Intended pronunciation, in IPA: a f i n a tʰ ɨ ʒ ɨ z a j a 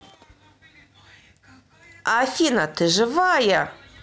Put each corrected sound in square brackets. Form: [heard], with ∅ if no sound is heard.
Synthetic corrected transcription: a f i n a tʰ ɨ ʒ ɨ [v] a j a